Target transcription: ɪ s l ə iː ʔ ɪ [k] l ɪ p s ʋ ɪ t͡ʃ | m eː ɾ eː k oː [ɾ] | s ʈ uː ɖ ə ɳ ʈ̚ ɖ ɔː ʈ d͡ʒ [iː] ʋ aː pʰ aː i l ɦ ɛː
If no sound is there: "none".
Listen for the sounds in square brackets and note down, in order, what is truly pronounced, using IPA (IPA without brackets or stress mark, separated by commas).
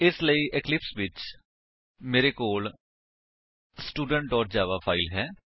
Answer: k, l, aː